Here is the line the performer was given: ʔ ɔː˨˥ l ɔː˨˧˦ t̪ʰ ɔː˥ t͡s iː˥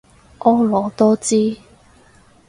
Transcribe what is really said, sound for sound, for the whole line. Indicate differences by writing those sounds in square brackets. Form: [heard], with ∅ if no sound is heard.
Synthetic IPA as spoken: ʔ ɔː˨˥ l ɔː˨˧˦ [t̪] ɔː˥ t͡s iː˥